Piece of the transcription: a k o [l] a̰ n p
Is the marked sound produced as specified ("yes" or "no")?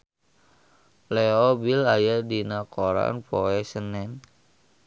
no